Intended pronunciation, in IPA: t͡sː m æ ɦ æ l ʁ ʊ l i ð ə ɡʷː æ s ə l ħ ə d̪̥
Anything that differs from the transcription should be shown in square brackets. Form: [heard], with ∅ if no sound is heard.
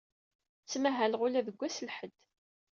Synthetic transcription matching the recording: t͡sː m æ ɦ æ l ʁ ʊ l [æ] ð ə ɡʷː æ s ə l ħ ə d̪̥